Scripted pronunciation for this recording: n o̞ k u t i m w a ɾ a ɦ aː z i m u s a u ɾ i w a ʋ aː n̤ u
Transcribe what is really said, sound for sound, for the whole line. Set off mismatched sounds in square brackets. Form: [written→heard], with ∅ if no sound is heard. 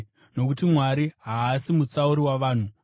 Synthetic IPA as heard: n o̞ k u t i m w a ɾ [a→i] ɦ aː [z→s] i m u [s→t͡s] a u ɾ i w a ʋ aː n̤ u